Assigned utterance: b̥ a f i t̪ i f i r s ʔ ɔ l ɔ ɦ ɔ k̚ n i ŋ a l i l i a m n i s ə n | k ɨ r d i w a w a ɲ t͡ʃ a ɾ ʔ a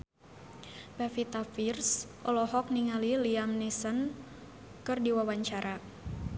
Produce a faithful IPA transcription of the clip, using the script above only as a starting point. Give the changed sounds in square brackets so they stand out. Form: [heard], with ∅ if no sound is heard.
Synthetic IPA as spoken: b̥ a f i t̪ [a] f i r s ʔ ɔ l ɔ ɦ ɔ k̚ n i ŋ a l i l i a m n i s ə n | k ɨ r d i w a w a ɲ t͡ʃ a ɾ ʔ a